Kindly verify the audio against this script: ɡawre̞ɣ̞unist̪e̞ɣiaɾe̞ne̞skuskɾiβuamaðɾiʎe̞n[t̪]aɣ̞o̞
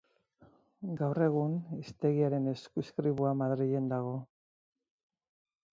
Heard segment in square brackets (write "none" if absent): d̪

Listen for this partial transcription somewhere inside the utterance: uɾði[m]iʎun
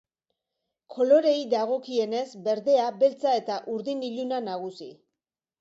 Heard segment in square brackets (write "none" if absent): n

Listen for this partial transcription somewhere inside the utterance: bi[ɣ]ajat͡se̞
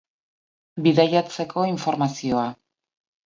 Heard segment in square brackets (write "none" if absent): ð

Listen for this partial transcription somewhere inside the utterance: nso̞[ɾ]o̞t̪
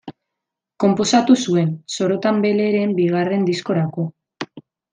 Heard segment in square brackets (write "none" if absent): ɾ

